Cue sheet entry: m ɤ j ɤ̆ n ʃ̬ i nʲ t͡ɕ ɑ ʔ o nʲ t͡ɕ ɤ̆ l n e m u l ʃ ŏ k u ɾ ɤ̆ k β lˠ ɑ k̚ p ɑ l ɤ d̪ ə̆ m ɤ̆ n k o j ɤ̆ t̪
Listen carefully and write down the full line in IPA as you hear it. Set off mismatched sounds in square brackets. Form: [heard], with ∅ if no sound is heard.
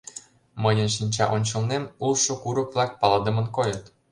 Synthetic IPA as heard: m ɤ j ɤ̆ n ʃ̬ i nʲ t͡ɕ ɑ ʔ o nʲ t͡ɕ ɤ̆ l n e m u l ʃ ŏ k u ɾ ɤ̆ k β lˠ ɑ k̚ p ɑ l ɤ d̪ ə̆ m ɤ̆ n k o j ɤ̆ t̪